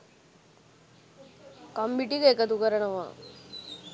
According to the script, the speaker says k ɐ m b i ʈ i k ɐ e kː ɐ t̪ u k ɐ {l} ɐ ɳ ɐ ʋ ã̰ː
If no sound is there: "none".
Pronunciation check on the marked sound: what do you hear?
ɾ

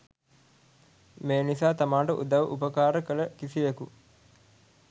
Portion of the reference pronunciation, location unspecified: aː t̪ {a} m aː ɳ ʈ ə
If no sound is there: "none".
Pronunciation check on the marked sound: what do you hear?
a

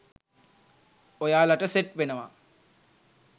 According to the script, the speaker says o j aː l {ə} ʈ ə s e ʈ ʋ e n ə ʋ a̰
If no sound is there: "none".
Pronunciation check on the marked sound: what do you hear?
a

